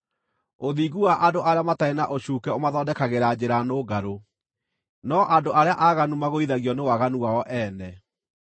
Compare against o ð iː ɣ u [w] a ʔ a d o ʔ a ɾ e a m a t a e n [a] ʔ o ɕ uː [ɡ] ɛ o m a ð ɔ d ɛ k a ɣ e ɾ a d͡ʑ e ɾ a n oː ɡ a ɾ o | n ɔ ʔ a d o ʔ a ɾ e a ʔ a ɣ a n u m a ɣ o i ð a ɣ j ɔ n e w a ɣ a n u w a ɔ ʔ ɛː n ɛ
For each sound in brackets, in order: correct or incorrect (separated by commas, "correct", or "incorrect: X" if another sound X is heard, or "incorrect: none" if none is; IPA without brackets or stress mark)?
correct, correct, incorrect: k